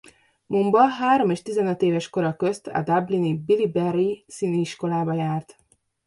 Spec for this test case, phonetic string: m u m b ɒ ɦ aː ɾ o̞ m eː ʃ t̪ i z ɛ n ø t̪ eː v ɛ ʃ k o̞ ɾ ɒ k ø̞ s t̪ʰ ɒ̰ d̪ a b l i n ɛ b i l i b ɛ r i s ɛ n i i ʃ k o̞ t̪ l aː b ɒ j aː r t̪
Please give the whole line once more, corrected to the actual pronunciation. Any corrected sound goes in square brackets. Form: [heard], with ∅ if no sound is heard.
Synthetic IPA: m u m b ɒ ɦ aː ɾ o̞ m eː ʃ t̪ i z ɛ n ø t̪ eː v ɛ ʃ k o̞ ɾ ɒ k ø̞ s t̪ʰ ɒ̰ d̪ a b l i n [i] b i l i b ɛ r i s [i] n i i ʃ k o̞ [∅] l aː b ɒ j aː r t̪